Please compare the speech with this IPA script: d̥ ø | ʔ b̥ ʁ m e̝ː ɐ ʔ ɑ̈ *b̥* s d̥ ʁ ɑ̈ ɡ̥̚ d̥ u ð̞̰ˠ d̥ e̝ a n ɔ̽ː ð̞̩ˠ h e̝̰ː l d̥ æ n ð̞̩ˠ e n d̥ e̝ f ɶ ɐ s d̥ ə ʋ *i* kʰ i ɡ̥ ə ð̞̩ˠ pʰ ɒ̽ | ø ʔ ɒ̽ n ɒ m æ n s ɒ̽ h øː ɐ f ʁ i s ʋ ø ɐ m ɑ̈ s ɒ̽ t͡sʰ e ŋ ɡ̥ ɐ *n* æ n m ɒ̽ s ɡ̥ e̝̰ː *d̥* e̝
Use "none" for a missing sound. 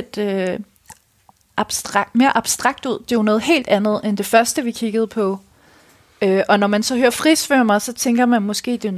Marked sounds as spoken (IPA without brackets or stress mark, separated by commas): b̥, i, m, d̥